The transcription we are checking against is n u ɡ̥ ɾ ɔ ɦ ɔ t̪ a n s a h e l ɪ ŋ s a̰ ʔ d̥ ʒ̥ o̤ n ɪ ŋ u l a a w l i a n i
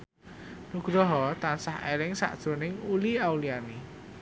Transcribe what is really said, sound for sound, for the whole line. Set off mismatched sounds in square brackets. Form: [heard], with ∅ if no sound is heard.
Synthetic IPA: n u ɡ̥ ɾ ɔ ɦ ɔ t̪ a n s a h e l ɪ ŋ s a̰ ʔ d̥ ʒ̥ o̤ n ɪ ŋ u l [i] a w l i a n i